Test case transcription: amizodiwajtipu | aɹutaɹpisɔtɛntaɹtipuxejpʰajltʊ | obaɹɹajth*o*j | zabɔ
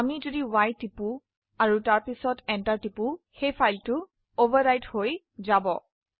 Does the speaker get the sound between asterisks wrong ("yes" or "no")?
no